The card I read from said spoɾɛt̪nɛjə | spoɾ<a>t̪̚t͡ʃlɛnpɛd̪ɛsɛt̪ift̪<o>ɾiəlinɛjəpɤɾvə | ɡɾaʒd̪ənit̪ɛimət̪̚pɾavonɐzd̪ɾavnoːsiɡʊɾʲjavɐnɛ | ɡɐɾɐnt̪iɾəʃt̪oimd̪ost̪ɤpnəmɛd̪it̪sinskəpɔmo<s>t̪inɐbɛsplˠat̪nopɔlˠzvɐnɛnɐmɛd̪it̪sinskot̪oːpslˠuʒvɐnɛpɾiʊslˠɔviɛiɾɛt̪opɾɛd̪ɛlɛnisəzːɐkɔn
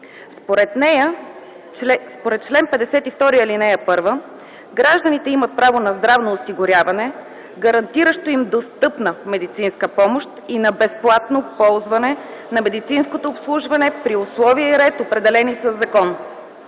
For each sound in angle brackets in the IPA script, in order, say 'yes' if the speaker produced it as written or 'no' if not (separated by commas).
no, no, no